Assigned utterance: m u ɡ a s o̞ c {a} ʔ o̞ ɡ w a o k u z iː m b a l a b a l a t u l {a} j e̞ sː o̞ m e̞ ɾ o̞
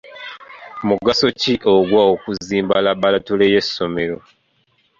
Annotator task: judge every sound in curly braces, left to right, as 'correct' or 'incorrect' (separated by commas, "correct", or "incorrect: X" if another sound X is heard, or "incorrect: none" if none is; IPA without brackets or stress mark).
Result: incorrect: i, incorrect: e